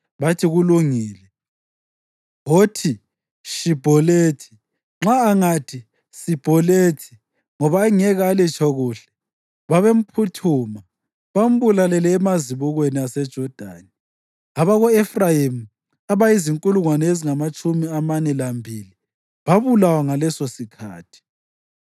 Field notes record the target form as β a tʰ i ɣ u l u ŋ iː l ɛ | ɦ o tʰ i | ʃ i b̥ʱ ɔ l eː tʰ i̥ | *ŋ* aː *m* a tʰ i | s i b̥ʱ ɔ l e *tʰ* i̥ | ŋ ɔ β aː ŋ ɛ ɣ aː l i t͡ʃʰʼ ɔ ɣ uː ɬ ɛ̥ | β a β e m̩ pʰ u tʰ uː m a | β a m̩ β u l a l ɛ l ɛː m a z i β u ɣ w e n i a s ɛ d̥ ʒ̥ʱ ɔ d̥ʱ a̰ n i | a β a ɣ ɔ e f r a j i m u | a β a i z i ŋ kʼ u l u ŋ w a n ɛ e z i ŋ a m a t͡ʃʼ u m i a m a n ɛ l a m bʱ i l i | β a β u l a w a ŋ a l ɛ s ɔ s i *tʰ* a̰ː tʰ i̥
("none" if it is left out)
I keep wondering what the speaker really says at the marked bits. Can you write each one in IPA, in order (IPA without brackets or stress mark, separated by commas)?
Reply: ŋ͡ǁ, ŋ, tʰ, kʰ